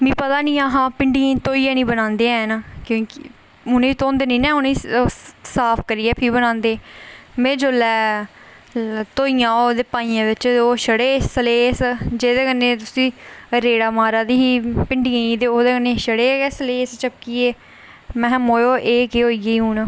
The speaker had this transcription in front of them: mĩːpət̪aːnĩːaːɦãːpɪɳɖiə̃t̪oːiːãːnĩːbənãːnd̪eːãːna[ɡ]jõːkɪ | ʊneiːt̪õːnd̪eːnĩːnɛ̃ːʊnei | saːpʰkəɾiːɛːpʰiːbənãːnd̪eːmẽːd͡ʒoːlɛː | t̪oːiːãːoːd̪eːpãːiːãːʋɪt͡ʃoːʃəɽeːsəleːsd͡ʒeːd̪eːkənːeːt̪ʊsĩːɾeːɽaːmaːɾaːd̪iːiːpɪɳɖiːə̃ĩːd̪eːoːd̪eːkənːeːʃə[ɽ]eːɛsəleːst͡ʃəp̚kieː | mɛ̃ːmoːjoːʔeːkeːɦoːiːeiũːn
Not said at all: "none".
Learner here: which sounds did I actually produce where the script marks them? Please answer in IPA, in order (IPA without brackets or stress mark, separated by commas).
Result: k, ɽ